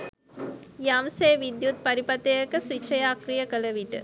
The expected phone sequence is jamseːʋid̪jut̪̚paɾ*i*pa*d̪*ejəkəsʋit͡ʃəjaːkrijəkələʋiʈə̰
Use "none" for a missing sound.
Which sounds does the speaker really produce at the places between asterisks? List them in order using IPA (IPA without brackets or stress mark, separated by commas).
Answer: i, t̪